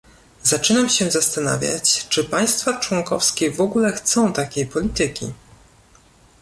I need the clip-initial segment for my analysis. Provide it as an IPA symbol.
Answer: z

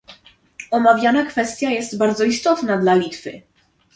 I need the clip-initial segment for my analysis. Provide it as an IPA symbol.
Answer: ɔ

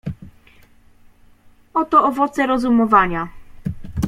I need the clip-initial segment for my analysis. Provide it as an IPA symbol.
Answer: ɔ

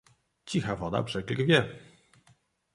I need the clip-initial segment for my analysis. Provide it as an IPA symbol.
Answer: t͡ɕ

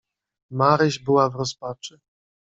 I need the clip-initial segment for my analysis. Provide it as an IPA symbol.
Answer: m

